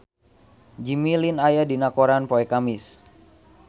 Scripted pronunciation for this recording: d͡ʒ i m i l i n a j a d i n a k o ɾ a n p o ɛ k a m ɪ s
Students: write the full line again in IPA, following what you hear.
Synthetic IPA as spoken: d͡ʒ i m i l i n a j a d i n a k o ɾ a n p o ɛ k a m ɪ s

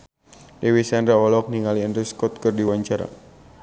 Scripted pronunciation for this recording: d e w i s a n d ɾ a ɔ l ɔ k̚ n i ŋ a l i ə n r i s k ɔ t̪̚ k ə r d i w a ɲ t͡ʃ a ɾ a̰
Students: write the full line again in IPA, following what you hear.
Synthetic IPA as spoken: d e w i s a n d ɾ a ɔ l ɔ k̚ n i ŋ a l i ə n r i s k ɔ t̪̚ k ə r d i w a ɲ t͡ʃ a ɾ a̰

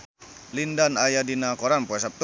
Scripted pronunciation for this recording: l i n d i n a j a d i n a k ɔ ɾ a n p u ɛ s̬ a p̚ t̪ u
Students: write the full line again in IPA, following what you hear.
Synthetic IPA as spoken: l i n d a n a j a d i n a k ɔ ɾ a n p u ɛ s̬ a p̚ t̪ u

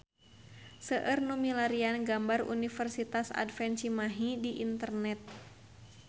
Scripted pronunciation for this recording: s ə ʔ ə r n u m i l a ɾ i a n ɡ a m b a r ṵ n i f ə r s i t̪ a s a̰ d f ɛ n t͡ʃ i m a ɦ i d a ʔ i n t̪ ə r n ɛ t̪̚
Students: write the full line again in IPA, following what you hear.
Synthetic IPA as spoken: s ə ʔ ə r n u m i l a ɾ i a n ɡ a m b a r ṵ n i f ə r s i t̪ a s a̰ d f ɛ n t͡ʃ i m a ɦ i d i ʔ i n t̪ ə r n ɛ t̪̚

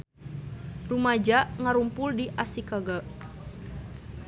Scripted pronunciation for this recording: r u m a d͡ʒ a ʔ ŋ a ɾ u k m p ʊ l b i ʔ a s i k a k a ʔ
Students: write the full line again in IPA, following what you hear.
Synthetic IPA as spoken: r u m a d͡ʒ a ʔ ŋ a ɾ u m p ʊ l d i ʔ a s i k a ɡ a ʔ

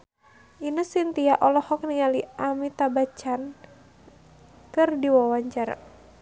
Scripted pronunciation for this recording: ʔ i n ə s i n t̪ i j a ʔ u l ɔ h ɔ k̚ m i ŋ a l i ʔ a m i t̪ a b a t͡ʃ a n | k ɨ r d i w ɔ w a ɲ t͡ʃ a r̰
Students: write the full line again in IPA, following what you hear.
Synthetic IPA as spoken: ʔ i n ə s i n t̪ i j a ʔ ɔ l ɔ h ɔ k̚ n i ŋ a l i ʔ a m i t̪ a b a t͡ʃ a n | k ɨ r d i w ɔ w a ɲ t͡ʃ a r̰

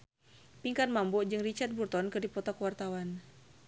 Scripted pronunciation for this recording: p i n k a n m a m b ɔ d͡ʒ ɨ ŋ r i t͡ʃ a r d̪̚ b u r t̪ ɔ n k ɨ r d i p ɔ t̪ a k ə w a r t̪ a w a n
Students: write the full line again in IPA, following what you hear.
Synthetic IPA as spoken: p i ŋ k a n m a m b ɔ d͡ʒ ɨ ŋ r i t͡ʃ a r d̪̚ b u r t̪ ɔ n k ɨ r d i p ɔ t̪ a k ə w a r t̪ a w a n

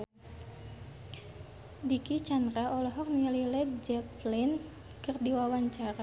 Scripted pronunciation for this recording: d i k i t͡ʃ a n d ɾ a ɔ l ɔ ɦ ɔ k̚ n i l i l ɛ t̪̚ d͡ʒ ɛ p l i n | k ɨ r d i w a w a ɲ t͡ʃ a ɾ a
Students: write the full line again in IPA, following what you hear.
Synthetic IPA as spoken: d i k i t͡ʃ a n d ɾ a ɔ l ɔ ɦ ɔ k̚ n i l i l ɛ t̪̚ d͡ʒ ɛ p l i n | k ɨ r d i w a w a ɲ t͡ʃ a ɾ a

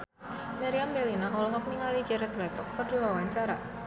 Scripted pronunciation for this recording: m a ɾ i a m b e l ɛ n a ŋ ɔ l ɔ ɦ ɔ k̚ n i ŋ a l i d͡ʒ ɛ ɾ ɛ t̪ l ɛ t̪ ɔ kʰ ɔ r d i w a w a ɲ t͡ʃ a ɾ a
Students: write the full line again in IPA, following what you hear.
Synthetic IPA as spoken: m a ɾ i a m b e l i n a ŋ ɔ l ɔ ɦ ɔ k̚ n i ŋ a l i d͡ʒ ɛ ɾ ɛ t̪ l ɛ t̪ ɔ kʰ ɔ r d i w a w a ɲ t͡ʃ a ɾ a

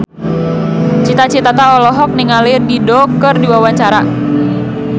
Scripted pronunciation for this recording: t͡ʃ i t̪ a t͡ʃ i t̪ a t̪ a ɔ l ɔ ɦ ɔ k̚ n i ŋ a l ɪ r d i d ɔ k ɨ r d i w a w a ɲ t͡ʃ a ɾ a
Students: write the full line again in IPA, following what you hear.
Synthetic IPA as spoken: t͡ʃ i t̪ a t͡ʃ i t̪ a t̪ a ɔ l ɔ ɦ ɔ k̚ n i ŋ a l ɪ r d i d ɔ k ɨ r d i w a w a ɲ t͡ʃ a ɾ a

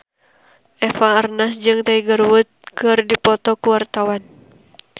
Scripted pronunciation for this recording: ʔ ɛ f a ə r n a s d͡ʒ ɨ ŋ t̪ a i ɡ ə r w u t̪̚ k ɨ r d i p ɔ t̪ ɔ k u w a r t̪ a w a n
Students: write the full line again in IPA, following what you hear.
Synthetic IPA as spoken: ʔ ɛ f a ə r n a s d͡ʒ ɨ ŋ t̪ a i ɡ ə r w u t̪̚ k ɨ r d i p ɔ t̪ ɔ k u w a r t̪ a w a n

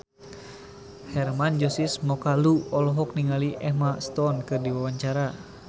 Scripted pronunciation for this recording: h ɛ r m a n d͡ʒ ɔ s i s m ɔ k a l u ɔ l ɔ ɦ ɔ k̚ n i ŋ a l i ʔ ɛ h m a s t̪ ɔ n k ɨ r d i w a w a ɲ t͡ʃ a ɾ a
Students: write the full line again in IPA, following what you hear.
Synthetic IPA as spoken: h ɛ r m a n d͡ʒ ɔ s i s m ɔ k a l u ɔ l ɔ ɦ ɔ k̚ n i ŋ a l i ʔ ɛ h m a s t̪ ɔ n k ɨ r d i w a w a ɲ t͡ʃ a ɾ a

